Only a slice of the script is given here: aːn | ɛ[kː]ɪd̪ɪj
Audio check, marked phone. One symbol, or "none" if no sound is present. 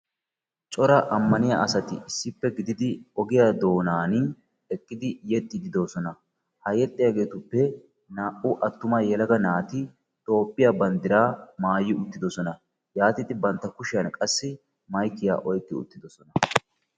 kʼː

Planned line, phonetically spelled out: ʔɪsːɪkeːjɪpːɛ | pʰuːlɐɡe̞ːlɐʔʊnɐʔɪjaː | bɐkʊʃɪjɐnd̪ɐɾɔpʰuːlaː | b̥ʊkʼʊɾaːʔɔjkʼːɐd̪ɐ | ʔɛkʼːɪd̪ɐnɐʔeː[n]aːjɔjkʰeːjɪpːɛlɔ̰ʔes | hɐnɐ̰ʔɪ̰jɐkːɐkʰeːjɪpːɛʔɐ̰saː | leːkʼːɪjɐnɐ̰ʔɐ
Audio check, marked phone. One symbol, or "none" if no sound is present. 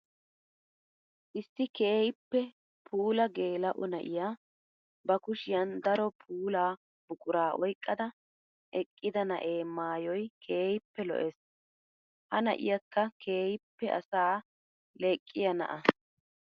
m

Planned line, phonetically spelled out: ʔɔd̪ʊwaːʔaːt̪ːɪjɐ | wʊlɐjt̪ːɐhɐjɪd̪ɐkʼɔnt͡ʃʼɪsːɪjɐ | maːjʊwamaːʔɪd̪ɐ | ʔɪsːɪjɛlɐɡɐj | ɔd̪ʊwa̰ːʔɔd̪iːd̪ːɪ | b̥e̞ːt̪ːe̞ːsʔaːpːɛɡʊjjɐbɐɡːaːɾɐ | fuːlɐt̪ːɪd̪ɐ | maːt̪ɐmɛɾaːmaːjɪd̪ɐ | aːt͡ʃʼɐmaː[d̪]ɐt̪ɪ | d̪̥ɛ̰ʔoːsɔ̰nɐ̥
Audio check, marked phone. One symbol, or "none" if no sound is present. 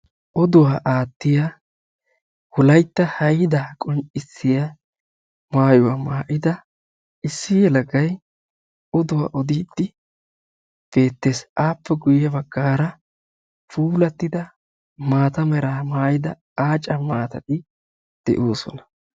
t̪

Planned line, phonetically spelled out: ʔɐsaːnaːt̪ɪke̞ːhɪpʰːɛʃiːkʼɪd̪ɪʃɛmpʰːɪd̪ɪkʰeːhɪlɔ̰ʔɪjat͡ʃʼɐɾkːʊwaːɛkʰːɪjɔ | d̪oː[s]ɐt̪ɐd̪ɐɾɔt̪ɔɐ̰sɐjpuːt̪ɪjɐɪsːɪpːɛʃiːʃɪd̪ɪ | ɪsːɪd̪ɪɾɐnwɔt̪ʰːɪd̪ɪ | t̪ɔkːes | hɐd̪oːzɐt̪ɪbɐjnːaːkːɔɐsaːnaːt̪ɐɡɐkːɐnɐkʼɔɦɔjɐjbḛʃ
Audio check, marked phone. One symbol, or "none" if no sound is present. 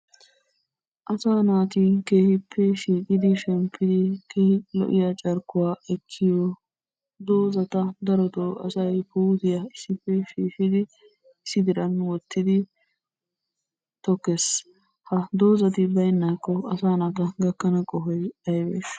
z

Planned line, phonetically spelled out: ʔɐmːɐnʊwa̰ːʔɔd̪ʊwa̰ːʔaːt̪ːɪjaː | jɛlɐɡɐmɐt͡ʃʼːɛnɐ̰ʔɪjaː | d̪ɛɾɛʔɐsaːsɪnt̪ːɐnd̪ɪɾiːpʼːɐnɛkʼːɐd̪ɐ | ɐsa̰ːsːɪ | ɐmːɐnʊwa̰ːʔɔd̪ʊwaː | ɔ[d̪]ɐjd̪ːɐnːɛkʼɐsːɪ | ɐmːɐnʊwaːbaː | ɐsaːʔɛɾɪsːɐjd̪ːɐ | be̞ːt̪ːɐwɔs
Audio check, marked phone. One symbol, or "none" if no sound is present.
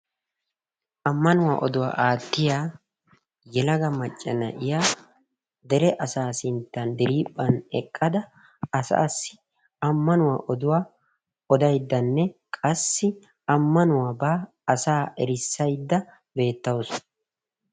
d̪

